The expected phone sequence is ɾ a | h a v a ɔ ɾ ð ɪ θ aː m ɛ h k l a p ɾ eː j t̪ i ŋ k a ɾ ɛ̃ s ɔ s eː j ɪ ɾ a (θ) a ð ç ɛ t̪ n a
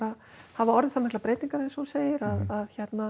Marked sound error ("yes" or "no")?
yes